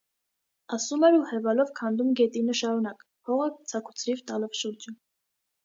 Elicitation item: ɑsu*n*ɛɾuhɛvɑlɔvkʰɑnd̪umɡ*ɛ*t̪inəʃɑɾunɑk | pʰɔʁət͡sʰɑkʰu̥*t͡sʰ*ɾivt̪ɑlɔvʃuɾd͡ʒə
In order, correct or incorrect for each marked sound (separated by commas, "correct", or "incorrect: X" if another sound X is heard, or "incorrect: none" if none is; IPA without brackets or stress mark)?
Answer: incorrect: m, correct, correct